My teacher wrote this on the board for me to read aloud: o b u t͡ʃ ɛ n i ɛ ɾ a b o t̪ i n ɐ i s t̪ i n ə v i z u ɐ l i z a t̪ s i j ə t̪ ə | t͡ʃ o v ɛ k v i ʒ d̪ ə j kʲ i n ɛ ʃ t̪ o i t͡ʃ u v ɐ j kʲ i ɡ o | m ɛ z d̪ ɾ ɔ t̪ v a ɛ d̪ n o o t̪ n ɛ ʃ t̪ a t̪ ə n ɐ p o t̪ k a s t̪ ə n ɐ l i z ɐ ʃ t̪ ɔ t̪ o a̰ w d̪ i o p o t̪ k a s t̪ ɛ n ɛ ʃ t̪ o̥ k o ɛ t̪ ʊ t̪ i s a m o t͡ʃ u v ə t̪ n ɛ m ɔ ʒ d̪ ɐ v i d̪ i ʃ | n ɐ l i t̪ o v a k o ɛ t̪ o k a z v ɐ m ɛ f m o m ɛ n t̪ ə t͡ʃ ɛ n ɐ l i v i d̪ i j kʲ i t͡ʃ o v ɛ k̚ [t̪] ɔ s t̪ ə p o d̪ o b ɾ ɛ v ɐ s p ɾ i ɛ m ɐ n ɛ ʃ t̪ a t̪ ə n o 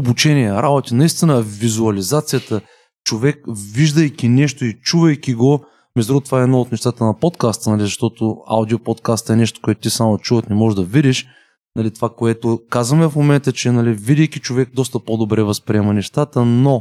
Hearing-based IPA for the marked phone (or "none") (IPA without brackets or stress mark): d̪